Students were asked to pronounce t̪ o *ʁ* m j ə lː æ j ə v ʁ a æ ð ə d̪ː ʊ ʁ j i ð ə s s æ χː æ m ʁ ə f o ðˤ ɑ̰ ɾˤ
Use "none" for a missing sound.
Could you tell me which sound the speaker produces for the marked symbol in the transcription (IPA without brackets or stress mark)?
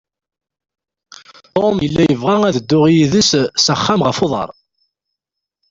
none